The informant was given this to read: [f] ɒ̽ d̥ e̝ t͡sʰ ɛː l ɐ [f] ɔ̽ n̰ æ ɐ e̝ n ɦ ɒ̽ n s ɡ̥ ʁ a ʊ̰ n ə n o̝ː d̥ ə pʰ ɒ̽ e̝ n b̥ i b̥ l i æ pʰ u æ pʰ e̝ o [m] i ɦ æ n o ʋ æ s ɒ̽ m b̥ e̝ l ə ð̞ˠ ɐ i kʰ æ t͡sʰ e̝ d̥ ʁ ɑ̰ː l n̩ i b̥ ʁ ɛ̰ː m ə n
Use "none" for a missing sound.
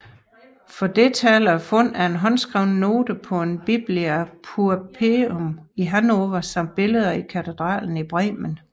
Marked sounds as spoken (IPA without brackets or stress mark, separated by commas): f, f, m